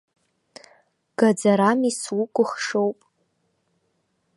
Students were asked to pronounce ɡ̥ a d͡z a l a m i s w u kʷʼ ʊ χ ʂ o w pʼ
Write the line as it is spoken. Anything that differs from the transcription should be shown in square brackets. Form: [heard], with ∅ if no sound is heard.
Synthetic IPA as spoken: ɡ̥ a d͡z a [ɾ] a m i s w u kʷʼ ʊ χ ʂ o w pʼ